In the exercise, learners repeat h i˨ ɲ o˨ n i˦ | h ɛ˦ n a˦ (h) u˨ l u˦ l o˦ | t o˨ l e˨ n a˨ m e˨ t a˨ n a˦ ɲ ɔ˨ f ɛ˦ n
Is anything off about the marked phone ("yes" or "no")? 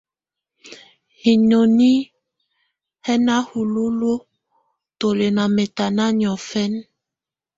no